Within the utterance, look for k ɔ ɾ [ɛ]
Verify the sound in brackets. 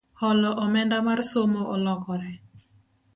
correct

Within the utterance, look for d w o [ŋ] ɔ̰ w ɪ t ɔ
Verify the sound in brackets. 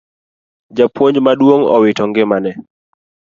correct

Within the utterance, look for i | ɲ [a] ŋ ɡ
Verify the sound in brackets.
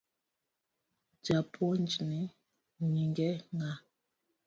incorrect: i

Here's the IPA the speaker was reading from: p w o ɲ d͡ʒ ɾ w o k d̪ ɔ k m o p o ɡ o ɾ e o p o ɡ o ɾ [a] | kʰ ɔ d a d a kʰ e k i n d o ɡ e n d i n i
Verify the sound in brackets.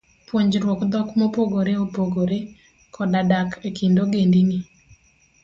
incorrect: e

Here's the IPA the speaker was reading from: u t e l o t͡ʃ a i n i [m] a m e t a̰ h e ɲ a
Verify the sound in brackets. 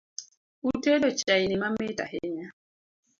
correct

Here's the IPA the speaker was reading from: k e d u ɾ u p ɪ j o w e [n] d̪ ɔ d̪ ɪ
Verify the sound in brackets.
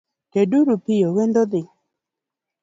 correct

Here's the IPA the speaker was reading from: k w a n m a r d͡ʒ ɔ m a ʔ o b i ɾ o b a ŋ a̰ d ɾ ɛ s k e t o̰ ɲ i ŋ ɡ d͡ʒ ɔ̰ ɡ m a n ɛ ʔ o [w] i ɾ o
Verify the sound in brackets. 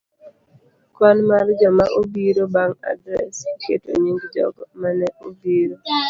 incorrect: b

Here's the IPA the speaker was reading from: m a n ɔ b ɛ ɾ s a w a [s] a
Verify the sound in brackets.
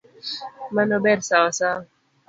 correct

